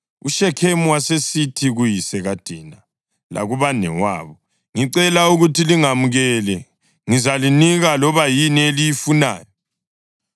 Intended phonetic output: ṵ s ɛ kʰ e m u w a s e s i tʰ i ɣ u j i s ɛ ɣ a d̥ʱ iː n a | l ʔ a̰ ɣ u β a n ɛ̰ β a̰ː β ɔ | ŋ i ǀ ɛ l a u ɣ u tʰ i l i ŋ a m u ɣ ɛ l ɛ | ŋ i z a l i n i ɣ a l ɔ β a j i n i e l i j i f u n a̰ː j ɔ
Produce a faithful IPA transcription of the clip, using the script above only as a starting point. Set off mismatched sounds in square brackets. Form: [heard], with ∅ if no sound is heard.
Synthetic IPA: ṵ [ʃ] ɛ kʰ e m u w a s e s i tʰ i ɣ u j i s ɛ ɣ a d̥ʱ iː n a | l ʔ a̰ ɣ u β a n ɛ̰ [w] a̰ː β ɔ | ŋ i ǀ ɛ l a u ɣ u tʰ i l i ŋ a m u ɣ ɛ l ɛ | ŋ i z a l i n i ɣ a l ɔ β a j i n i e l i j i f u n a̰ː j ɔ